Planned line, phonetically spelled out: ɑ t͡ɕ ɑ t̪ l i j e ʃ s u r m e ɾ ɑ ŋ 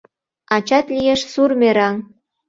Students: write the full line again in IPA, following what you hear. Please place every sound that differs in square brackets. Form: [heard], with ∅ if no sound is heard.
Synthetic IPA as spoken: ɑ t͡ɕ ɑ t̪ l i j e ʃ s u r m e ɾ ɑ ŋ